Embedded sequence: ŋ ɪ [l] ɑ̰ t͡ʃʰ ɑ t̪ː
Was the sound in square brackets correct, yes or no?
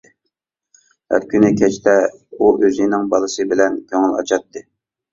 yes